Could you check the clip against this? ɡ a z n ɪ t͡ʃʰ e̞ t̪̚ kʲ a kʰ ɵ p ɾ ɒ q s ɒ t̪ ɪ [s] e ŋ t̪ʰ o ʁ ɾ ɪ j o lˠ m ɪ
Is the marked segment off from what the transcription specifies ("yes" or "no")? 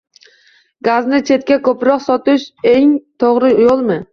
yes